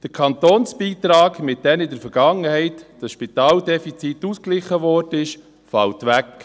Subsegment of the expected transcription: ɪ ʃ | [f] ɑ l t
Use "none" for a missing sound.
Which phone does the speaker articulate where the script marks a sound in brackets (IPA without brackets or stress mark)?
f